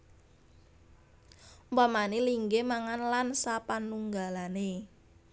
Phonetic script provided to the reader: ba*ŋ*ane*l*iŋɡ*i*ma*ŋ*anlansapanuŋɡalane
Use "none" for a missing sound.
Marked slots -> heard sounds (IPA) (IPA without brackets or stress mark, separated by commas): m, l, e, ŋ